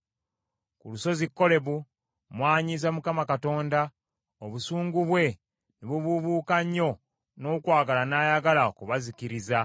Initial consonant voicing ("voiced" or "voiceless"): voiceless